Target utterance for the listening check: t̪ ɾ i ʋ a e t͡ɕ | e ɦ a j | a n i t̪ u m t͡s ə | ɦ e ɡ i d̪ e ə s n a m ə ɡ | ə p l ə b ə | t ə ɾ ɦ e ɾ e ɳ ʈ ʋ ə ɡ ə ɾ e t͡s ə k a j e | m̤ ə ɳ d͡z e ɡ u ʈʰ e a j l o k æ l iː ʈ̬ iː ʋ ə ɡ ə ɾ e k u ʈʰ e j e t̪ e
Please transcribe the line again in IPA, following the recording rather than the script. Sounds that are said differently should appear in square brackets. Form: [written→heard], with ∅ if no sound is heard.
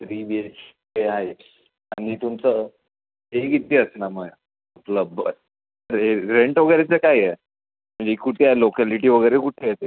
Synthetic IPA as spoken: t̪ ɾ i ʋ [a→i] e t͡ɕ | e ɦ a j | a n i t̪ u m t͡s ə | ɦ e ɡ i [d̪→t̪] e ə s n a m ə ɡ | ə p l ə b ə | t ə ɾ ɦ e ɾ e ɳ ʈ ʋ ə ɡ ə ɾ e t͡s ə k a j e | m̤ ə ɳ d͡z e [ɡ→k] u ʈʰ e a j l o k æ l [iː→i] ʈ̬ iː ʋ ə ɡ ə ɾ e k u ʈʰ e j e t̪ e